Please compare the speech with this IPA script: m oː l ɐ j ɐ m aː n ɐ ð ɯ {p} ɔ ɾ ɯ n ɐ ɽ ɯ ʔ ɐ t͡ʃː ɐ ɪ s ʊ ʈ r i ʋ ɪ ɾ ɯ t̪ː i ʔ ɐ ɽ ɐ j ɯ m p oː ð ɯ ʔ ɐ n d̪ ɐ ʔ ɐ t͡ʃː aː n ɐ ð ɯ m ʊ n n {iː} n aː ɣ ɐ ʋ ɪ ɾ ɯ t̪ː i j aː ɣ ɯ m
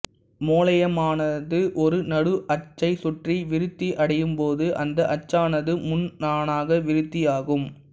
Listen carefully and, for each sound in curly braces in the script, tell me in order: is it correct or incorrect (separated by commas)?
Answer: incorrect, incorrect